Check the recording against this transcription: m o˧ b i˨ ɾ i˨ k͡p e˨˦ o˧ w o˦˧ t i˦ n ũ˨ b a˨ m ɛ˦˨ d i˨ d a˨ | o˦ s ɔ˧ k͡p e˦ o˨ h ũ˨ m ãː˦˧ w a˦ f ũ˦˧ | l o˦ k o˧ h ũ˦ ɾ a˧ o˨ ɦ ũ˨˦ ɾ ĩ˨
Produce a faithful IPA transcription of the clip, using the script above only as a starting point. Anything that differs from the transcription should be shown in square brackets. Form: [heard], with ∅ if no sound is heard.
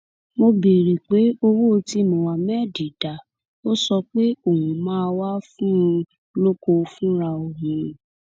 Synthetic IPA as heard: m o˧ b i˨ ɾ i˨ k͡p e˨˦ o˧ w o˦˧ t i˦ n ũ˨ [w] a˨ m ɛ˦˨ d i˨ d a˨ | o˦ s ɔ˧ k͡p e˦ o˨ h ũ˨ m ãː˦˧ w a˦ f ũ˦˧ | l o˦ k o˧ [f] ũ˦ ɾ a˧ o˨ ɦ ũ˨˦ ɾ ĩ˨